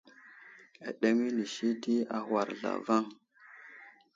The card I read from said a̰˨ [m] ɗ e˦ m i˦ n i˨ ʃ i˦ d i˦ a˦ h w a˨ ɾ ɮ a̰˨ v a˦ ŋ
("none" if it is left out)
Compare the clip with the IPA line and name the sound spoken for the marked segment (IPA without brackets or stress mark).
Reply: none